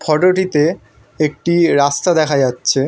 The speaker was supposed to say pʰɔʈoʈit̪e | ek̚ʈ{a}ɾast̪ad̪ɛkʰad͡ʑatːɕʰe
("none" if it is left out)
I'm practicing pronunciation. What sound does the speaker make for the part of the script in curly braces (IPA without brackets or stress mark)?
i